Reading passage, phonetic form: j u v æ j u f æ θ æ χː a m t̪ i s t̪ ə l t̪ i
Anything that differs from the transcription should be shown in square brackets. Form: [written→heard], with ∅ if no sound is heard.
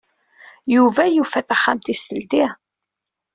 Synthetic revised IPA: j u v æ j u f æ θ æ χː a m t̪ i s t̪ ə l t̪ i